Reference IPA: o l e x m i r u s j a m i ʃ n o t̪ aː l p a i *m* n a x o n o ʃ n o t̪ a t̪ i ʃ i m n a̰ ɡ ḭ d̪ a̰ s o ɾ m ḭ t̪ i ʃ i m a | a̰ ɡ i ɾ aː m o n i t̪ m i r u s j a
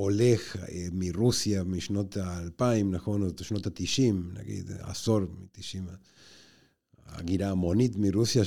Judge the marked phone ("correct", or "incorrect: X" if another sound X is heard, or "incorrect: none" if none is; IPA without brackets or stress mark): correct